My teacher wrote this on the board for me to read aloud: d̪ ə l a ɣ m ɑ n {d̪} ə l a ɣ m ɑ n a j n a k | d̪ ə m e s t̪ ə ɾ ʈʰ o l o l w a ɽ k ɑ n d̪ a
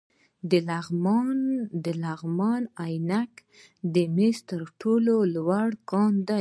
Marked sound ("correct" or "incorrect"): correct